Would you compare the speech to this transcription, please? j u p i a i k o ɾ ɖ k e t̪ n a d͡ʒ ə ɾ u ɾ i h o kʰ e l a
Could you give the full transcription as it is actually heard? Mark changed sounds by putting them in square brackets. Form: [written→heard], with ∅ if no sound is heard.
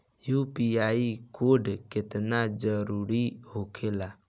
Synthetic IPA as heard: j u p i a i k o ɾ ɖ k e t̪ n a d͡ʒ ə ɾ u ɾ i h o kʰ e l a

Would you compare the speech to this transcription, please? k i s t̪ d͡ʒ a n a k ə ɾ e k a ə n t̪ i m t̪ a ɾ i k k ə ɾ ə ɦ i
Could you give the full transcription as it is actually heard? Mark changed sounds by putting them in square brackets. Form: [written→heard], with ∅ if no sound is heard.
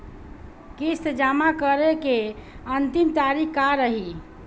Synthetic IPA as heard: k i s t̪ d͡ʒ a [n→m] a k ə ɾ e k [a→e] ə n t̪ i m t̪ a ɾ i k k [ə→a] ɾ ə ɦ i

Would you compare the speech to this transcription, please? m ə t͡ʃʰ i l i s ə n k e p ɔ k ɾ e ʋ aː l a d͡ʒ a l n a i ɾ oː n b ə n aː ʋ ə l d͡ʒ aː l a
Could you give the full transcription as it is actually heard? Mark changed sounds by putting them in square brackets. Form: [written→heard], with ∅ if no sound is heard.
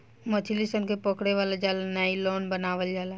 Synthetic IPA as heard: m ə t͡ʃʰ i l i s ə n k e p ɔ k [ɾ→ɽ] e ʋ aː l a d͡ʒ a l n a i [ɾ→l] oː n b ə n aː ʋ ə l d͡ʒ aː l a

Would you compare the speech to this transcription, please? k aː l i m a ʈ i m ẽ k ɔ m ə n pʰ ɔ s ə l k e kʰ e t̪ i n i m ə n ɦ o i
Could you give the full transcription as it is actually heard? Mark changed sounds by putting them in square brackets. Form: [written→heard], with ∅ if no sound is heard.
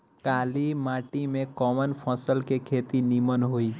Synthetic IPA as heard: k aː l i m a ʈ i m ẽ k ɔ m ə n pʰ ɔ s ə l k e kʰ e t̪ i n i m ə n ɦ o i

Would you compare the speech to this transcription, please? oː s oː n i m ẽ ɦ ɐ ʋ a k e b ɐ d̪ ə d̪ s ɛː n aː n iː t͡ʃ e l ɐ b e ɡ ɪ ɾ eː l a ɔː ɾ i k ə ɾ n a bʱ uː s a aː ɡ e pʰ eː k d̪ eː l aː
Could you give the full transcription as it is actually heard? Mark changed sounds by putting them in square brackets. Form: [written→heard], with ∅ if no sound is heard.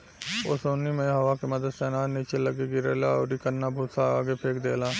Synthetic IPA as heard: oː s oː n i m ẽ ɦ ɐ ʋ a k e [b→m] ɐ d̪ ə d̪ s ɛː n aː n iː t͡ʃ e l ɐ [b→ɡ] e ɡ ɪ ɾ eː l a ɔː ɾ i k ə ɾ n a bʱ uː s a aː ɡ e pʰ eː k d̪ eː l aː

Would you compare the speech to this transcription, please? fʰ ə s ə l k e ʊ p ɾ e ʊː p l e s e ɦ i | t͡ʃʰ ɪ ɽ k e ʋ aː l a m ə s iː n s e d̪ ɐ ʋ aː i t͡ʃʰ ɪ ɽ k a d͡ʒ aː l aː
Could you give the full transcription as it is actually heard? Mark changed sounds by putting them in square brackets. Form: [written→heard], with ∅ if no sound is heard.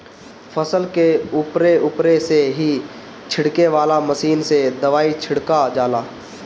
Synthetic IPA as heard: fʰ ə s ə l k e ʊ p ɾ e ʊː p [l→ɾ] e s e ɦ i | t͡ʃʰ ɪ ɽ k e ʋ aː l a m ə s iː n s e d̪ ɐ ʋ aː i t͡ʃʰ ɪ ɽ k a d͡ʒ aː l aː

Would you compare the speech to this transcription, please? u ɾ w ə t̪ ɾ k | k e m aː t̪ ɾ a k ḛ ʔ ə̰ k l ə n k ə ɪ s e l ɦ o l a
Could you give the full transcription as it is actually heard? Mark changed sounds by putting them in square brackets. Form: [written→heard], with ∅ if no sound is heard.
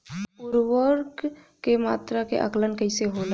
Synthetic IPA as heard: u ɾ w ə [t̪→∅] ɾ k | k e m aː t̪ ɾ a k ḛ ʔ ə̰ k l ə n k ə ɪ s e [l→∅] ɦ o l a

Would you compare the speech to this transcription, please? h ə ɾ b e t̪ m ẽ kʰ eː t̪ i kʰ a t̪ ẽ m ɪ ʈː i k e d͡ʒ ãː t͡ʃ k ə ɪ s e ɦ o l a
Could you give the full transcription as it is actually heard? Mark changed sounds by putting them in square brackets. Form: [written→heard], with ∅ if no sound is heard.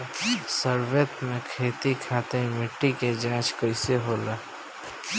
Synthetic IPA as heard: [h→s] ə ɾ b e t̪ m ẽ kʰ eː t̪ i kʰ a t̪ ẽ m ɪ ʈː i k e d͡ʒ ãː t͡ʃ k ə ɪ s e ɦ o l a

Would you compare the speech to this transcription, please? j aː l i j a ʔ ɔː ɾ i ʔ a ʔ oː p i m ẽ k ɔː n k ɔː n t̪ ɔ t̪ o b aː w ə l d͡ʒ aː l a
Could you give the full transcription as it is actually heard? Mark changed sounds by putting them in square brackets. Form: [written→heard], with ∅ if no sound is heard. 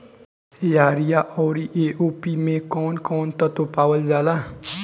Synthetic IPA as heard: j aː [l→ɾ] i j a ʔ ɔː ɾ i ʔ [a→e] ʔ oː p i m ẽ k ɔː n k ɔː n t̪ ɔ t̪ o [b→p] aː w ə l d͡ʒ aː l a

